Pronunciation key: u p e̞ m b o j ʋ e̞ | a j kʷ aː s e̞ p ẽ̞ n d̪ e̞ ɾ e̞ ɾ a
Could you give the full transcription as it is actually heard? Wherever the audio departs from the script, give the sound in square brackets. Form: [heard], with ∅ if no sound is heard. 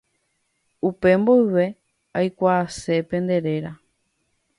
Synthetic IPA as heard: u p e̞ m b o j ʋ e̞ | a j kʷ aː s e̞ p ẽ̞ n d̪ e̞ ɾ e̞ ɾ a